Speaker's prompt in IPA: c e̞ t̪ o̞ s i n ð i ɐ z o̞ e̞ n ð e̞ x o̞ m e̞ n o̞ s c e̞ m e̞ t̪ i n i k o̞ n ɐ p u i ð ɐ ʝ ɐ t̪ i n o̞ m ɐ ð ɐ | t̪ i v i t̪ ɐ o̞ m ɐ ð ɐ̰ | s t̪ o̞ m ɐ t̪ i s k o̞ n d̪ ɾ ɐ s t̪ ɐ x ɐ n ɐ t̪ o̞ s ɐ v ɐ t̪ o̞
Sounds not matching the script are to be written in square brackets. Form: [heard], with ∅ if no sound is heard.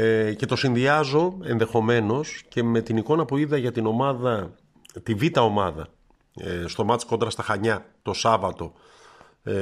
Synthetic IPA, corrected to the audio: c e̞ t̪ o̞ s i n ð i ɐ z o̞ e̞ n ð e̞ x o̞ m e̞ n o̞ s c e̞ m e̞ t̪ i n i k o̞ n ɐ p u i ð ɐ ʝ ɐ t̪ i n o̞ m ɐ ð ɐ | t̪ i v i t̪ ɐ o̞ m ɐ ð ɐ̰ | s t̪ o̞ m ɐ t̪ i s k o̞ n d̪ ɾ ɐ s t̪ ɐ x ɐ [ɲ] ɐ t̪ o̞ s ɐ v ɐ t̪ o̞